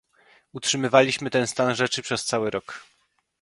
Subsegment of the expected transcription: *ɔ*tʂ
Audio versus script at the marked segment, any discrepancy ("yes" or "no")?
yes